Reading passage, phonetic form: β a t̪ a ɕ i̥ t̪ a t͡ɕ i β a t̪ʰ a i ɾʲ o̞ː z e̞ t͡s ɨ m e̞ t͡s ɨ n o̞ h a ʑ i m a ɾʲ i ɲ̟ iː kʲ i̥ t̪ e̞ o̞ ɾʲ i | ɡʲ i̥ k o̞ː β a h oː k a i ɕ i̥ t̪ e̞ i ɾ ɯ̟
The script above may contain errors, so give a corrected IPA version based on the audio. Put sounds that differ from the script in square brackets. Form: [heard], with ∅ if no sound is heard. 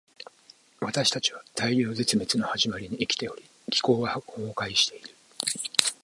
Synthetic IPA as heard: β a t̪ a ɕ i̥ t̪ a t͡ɕ i β a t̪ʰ a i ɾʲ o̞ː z e̞ t͡s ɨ m e̞ t͡s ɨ n o̞ h a ʑ i m a ɾʲ i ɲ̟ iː kʲ i̥ t̪ e̞ o̞ ɾʲ i | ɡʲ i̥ k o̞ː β a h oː k a i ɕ i̥ t̪ e̞ i ɾ ɯ̟